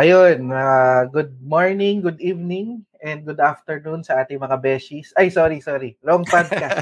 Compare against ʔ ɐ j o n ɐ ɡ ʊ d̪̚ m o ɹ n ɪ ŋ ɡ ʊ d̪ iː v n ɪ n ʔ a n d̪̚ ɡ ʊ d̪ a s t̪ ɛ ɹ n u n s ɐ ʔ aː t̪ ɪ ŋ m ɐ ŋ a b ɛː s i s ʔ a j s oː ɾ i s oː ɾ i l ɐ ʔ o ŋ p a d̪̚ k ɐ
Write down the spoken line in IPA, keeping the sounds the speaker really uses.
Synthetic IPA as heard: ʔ ɐ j o n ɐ ɡ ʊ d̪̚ m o ɹ n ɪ ŋ ɡ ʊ d̪ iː v n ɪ ŋ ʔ ɛ n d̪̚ ɡ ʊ d̪ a f t̪ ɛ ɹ n u n s ɐ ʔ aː t̪ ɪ ŋ m ɐ ŋ a b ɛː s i s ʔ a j s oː ɾ i s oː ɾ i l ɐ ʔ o ŋ p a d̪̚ k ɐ